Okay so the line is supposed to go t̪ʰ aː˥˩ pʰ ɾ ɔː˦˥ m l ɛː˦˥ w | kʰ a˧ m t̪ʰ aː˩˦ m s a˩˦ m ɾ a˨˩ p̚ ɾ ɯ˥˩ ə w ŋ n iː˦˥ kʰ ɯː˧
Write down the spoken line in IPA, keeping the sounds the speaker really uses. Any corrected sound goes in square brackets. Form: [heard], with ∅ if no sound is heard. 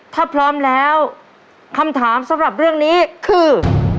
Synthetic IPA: t̪ʰ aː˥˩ pʰ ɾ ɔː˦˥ m l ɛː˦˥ w | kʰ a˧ m t̪ʰ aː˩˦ m s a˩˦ m ɾ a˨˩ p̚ ɾ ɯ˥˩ ə [∅] ŋ n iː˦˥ kʰ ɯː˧